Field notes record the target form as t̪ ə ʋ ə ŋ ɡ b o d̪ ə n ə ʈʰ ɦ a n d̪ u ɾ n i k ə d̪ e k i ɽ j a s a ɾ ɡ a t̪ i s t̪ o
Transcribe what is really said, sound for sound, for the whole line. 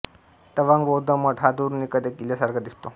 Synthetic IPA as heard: t̪ ə ʋ a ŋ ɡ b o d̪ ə m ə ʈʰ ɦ a d̪ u ɾ n i k ə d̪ e k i l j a s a ɾ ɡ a d̪ i s t̪ o

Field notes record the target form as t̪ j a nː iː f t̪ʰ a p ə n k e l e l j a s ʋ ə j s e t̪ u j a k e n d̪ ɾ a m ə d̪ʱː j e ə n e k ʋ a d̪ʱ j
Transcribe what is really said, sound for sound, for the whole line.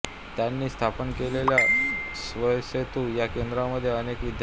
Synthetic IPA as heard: t̪ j a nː iː s t̪ʰ a p ə n k e l e l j a s ʋ ə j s e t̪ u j a k e n d̪ ɾ a m ə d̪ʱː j e ə n e k ʋ i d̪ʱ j

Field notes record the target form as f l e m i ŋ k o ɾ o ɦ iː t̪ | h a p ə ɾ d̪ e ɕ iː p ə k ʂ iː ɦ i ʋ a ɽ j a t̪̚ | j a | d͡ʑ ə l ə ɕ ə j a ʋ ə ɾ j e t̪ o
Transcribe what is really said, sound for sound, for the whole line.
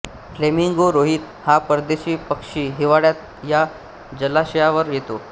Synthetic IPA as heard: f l e m i ŋ ɡ o ɾ o ɦ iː t̪ | h a p ə ɾ d̪ e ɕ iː p ə k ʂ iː ɦ i ʋ a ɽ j a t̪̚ | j a | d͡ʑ ə l a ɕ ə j a ʋ ə ɾ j e t̪ o

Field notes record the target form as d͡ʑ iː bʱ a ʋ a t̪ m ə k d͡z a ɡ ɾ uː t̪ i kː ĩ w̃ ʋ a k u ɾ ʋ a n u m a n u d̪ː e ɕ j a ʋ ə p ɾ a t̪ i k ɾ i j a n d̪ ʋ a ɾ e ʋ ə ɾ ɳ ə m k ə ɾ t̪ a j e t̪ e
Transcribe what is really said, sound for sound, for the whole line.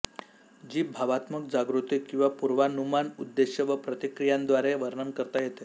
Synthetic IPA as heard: d͡ʑ iː bʱ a ʋ a t̪ m ə k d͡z a ɡ ɾ u t̪ i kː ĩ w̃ ʋ a p u ɾ ʋ a n u m a n u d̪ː e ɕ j ə ʋ ə p ɾ ə t̪ i k ɾ i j a n d̪ ʋ a ɾ e ʋ ə ɾ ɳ ə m k ə ɾ t̪ a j e t̪ e

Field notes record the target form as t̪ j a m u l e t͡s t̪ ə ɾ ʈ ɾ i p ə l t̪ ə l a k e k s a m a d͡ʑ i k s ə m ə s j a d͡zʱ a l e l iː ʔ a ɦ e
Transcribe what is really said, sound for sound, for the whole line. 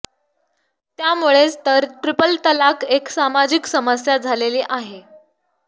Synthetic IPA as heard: t̪ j a m u ɭ e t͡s t̪ ə ɾ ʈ ɾ i p ə l t̪ ə l a k e k s a m a d͡ʑ i k s ə m ə s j a d͡zʱ a l e l iː ʔ a ɦ e

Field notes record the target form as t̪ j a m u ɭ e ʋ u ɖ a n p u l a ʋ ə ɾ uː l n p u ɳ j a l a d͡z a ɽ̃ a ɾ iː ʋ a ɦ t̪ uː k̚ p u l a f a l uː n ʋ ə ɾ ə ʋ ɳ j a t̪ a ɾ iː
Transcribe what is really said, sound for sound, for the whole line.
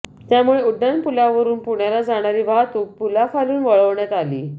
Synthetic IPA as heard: t̪ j a m u ɭ e u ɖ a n p u l a ʋ ə ɾ uː n p u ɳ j a l a d͡z a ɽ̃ a ɾ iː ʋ a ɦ t̪ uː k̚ p u l a f a l uː n ʋ ə ɭ ə ʋ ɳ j a t̪ a l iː

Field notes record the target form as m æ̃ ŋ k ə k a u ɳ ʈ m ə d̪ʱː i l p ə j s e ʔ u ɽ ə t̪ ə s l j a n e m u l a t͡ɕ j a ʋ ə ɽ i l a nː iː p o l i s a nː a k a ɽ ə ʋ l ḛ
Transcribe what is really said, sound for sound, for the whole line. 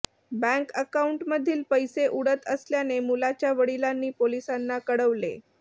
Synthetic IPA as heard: b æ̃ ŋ k ə k a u ɳ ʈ m ə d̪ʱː iː l p ə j s e ʔ u ɽ ə t̪ ə s l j a n e m u l a t͡ɕ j a ʋ ə ɽ i l a nː iː p o l i s a nː a k ə ɽ ə ʋ l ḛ

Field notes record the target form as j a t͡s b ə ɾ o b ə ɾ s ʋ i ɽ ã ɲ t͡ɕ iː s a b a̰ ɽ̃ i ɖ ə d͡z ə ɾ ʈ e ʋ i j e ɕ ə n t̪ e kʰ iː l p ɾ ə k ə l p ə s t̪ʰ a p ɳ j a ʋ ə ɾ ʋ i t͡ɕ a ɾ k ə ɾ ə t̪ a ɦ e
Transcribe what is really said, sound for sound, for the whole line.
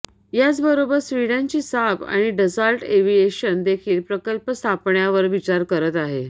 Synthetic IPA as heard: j a t͡s b ə ɾ o b ə ɾ s ʋ i ɽ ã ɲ t͡ɕ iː s a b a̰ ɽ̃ i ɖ ə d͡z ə ɾ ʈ e ʋ i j e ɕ ə n d̪ e kʰ iː l p ɾ ə k ə l p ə s t̪ʰ a p ɳ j a ʋ ə ɾ ʋ i t͡ɕ a ɾ k ə ɾ ə t̪ a ɦ e

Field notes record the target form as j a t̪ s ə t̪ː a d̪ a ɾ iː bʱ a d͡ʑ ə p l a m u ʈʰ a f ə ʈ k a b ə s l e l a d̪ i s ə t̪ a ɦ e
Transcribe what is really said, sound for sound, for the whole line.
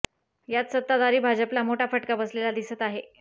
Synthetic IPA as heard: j a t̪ s ə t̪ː a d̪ a ɾ iː bʱ a d͡ʑ ə p l a m o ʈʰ a f ə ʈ k a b ə s l e l a d̪ i s ə t̪ a ɦ e

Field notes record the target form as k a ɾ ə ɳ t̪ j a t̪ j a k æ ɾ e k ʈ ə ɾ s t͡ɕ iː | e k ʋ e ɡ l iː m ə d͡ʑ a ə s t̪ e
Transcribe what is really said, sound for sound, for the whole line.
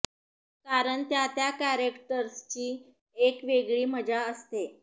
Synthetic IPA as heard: k a ɾ ə ɳ t̪ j a t̪ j a k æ ɾ e k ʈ ə ɾ s t͡ɕ iː | e k ʋ e ɡ ɭ iː m ə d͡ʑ a ə s t̪ e

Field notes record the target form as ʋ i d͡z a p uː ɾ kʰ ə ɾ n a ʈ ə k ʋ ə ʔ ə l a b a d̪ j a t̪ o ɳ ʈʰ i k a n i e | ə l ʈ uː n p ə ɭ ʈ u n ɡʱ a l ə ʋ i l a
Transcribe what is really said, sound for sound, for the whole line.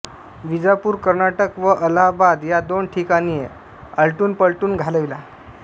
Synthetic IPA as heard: ʋ i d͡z a p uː ɾ k ə ɾ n a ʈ ə k ʋ ə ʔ ə l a b a d̪ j a d̪ o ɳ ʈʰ i k a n i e | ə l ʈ uː n p ə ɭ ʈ uː n ɡʱ a l ə ʋ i l a

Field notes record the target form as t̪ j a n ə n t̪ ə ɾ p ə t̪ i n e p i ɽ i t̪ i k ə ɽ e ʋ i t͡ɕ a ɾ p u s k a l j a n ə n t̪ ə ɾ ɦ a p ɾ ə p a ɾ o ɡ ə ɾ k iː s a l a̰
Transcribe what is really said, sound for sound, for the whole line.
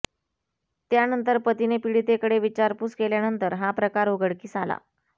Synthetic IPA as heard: t̪ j a n ə n t̪ ə ɾ p ə t̪ i n e p i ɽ i t̪ e k ə ɽ e ʋ i t͡ɕ a ɾ p u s k e l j a n ə n t̪ ə ɾ ɦ a p ɾ ə k a ɾ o ɡ ə ɽ k iː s a l a̰

